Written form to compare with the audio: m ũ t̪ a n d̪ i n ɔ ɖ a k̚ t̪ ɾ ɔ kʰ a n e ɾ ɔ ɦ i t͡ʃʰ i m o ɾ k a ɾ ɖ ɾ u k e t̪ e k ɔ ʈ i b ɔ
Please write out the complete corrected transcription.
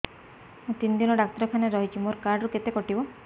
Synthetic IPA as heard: m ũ t̪ i n d̪ i n ɔ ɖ a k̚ t̪ ɾ ɔ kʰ a n e ɾ ɔ ɦ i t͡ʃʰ i m o ɾ k a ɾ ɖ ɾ u k e t̪ e k ɔ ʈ i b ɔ